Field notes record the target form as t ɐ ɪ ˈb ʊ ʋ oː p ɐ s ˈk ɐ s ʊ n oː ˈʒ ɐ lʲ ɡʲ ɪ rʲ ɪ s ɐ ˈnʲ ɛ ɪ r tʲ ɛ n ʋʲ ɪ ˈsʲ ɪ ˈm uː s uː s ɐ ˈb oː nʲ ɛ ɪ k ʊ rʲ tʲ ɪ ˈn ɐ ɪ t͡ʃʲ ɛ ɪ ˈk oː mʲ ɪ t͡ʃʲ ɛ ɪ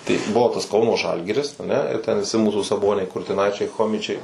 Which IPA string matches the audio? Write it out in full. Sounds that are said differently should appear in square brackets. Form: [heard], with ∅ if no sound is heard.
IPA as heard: t ɐ ɪ ˈb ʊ ʋ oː [t] ɐ s ˈk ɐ [∅] ʊ n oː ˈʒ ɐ lʲ ɡʲ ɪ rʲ ɪ s ɐ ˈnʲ ɛ ɪ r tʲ ɛ n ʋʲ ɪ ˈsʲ ɪ ˈm uː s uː s ɐ ˈb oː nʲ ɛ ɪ k ʊ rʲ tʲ ɪ ˈn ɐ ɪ t͡ʃʲ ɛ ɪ [ˈx] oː mʲ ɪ t͡ʃʲ ɛ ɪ